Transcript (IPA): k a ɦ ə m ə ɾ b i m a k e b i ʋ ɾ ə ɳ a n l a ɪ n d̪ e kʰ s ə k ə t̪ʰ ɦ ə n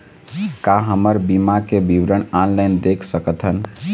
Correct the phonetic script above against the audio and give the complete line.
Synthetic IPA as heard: k a ɦ ə m ə ɾ b i m a k e b i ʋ ɾ ə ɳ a n l a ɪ n d̪ e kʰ s ə k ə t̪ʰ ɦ ə n